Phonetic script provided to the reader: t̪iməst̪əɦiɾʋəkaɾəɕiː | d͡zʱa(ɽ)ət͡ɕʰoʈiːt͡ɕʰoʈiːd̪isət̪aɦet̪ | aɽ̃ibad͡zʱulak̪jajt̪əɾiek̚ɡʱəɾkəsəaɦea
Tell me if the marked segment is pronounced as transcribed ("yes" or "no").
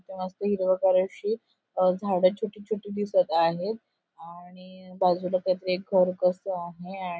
yes